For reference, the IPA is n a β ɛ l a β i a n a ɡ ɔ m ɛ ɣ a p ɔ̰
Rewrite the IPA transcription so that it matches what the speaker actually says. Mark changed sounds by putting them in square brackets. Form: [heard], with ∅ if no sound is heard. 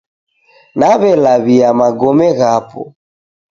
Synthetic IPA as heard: n a β ɛ l a β i a [m] a ɡ ɔ m ɛ ɣ a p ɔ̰